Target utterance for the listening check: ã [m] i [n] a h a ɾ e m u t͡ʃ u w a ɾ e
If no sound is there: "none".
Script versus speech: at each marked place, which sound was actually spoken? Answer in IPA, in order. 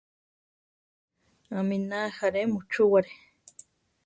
m, n

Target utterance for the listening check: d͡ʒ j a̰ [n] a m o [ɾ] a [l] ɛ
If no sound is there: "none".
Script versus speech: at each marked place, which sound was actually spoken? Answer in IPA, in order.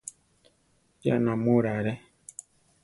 n, ɾ, ɾ

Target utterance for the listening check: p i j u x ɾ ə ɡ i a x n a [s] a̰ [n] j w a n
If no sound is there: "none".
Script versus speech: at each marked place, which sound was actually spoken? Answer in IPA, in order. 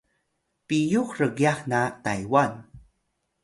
t, none

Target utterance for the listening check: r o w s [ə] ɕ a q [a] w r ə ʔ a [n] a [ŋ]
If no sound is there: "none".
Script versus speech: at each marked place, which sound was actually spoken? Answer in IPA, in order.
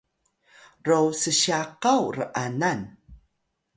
ə, a, n, n

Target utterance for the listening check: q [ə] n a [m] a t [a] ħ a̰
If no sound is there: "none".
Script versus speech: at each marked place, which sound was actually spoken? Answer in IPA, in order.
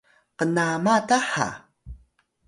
ə, m, a

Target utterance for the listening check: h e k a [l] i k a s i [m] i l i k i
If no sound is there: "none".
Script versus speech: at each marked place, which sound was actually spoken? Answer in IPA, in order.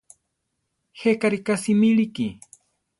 ɾ, m

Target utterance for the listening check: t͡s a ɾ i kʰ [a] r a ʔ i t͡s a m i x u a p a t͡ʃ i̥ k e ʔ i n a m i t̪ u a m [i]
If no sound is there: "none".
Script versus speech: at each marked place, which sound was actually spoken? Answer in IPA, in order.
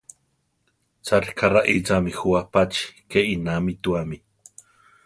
a, i

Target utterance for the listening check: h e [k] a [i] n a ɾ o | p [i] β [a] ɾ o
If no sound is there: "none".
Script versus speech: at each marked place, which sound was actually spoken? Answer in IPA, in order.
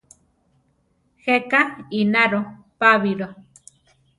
k, i, a, i

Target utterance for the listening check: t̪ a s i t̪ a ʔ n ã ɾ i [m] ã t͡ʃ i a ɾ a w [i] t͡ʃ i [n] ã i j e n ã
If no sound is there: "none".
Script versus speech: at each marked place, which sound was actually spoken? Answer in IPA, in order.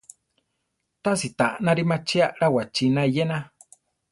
m, a, n

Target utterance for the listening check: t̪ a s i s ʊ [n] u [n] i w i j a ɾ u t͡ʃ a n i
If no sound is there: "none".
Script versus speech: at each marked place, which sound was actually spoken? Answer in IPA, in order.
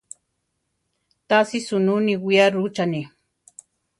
n, n

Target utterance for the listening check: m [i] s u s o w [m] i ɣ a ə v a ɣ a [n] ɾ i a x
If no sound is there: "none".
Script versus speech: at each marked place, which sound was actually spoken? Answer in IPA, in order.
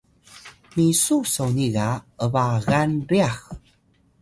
i, n, n

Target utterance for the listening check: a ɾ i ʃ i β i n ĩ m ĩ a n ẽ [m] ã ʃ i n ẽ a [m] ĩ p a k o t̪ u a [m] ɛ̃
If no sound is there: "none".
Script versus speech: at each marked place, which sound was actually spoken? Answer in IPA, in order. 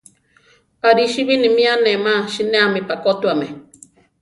m, m, m

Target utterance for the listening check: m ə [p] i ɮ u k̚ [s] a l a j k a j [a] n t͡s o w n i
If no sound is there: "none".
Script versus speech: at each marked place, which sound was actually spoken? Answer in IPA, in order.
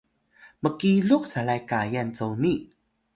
k, s, a

